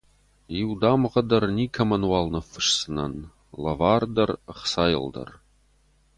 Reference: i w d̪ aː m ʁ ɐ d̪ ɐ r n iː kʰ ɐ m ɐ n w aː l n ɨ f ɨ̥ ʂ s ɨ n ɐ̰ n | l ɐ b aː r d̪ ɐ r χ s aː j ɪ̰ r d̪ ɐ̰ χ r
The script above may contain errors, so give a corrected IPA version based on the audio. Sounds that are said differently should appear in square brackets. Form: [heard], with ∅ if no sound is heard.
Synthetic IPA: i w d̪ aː m ʁ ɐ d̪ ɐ r n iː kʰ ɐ m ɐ n w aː l n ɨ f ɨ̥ ʂ s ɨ n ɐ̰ n | l ɐ [v] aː r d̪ ɐ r χ s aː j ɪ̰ [l] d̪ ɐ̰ [∅] r